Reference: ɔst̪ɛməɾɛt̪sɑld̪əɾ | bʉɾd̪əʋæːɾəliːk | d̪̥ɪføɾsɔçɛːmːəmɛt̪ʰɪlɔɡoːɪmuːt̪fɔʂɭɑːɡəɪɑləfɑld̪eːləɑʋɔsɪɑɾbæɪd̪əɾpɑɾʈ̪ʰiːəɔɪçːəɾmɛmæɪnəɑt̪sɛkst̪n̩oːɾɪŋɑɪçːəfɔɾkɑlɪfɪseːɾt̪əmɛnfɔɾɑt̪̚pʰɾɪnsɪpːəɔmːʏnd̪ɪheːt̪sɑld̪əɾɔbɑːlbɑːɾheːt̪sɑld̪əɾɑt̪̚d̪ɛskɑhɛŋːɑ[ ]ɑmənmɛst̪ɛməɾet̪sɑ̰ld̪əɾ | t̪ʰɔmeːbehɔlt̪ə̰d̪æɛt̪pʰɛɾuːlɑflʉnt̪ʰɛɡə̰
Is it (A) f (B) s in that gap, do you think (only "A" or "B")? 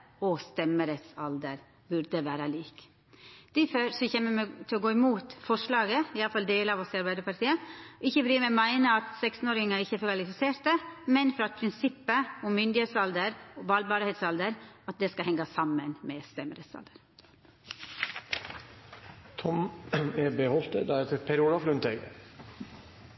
B